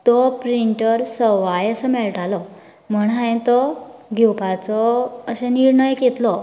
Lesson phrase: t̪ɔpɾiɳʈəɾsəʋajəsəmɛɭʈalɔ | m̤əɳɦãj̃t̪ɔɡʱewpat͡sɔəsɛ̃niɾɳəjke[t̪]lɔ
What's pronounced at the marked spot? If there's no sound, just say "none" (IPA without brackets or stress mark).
t̪